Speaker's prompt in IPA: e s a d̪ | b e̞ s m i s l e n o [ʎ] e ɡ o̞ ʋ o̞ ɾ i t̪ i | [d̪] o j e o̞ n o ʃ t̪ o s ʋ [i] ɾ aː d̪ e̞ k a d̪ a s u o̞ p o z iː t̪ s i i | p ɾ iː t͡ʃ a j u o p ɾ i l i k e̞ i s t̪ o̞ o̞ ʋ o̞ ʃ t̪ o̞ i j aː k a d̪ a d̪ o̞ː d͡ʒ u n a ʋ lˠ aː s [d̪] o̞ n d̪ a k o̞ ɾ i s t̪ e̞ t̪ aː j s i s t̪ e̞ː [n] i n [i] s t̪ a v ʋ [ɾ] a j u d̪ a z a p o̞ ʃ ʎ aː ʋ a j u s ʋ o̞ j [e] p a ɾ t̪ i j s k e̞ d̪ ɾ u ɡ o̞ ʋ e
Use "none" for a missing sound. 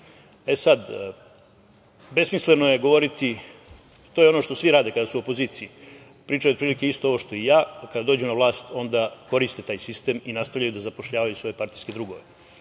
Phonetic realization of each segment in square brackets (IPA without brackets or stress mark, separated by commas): j, t̪, i, t̪, m, a, ʎ, e